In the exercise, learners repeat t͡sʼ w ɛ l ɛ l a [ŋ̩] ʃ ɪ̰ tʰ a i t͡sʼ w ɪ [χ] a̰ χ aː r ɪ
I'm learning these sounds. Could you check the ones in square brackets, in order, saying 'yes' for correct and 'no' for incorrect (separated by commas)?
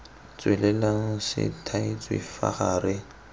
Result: yes, no